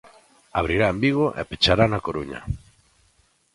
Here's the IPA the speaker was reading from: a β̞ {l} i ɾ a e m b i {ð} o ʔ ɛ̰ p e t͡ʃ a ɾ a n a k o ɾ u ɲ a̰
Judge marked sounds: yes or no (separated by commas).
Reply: no, no